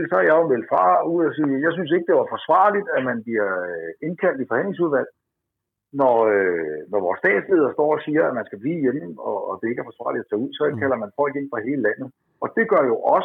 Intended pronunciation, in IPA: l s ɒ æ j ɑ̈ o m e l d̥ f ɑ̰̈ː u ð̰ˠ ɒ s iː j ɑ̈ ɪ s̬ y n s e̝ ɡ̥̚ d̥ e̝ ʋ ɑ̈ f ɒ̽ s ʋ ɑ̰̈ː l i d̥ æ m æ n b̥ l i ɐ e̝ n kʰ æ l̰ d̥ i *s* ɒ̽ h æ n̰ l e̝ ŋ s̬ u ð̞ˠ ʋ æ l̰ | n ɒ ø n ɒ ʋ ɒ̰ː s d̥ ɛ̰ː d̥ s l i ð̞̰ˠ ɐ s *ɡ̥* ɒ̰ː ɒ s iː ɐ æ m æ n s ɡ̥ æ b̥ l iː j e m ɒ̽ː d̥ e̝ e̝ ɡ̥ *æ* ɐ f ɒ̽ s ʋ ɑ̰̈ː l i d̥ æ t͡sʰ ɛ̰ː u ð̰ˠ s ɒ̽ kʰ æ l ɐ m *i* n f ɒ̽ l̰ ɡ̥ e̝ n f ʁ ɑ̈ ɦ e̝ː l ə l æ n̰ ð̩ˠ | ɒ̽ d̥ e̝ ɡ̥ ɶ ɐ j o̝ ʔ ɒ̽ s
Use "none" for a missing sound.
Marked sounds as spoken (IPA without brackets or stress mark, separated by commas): f, d̥, æ, æ